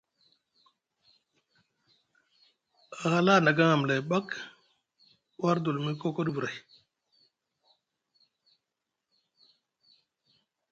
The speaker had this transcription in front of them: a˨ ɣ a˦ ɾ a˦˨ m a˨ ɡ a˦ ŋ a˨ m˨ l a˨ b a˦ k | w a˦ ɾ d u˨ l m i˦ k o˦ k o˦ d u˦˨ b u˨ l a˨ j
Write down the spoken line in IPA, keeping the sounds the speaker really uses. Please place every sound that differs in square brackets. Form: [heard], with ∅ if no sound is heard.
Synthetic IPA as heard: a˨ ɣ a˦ [l] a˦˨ [n] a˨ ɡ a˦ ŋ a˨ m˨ l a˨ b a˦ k | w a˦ ɾ d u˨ l m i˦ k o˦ k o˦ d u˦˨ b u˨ [ɾ] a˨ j